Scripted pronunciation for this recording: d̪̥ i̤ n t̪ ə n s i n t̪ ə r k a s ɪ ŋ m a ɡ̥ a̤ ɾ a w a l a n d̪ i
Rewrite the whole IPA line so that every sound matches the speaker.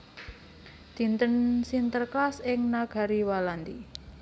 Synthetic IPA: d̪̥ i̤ n t̪ ə n s i n t̪ ə r k a s ɪ ŋ n a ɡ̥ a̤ ɾ i w a l a n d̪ i